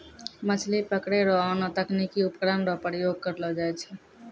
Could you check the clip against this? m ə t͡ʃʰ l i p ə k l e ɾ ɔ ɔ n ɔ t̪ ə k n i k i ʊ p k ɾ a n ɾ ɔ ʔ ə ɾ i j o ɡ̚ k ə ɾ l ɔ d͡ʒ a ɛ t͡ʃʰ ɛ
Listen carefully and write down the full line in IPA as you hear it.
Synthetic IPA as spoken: m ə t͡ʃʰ l i p ə k ɽ e ɾ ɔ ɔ n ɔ t̪ ə k n i k i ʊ p k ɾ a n ɾ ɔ p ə ɾ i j o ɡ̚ k ə ɾ l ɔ d͡ʒ a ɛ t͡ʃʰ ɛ